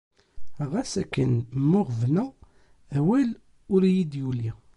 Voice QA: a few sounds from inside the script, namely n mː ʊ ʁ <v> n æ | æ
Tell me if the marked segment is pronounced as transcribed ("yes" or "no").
yes